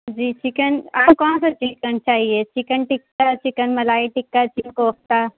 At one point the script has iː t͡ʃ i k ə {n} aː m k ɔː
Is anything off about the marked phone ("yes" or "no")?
no